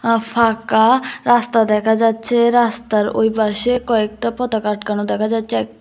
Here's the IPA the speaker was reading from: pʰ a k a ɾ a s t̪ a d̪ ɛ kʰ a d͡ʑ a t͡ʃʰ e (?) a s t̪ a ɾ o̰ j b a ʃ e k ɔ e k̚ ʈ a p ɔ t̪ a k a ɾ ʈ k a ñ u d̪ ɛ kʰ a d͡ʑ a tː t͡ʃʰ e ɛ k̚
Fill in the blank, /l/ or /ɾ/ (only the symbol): ɾ